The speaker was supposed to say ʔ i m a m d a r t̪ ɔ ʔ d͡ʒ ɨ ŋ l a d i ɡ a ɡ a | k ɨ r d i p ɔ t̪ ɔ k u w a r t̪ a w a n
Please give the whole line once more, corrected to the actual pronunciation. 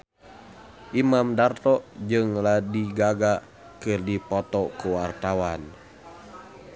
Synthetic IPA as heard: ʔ i m a m d a r t̪ ɔ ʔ d͡ʒ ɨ ŋ l a d i ɡ a ɡ a | k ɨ r d i p ɔ t̪ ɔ k u w a r t̪ a w a n